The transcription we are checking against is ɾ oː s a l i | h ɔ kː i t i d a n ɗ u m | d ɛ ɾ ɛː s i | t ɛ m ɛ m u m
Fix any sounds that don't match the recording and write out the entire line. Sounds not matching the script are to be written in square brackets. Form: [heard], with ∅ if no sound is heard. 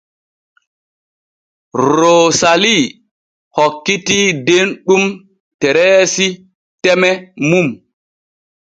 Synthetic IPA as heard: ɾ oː s a l i | h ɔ kː i t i d [e] n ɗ u m | [t] ɛ ɾ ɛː s i | t ɛ m ɛ m u m